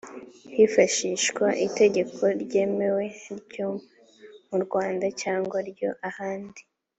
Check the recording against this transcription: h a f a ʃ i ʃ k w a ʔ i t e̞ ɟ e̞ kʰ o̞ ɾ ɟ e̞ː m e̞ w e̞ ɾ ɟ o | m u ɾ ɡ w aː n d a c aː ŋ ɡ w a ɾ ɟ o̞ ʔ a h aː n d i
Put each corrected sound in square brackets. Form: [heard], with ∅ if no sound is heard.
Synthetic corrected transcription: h [i] f a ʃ i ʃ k w a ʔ i t e̞ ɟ e̞ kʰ o̞ ɾ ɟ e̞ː m e̞ w e̞ ɾ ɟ o | m u ɾ ɡ w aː n d a c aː ŋ ɡ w a ɾ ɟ o̞ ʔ a h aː n d i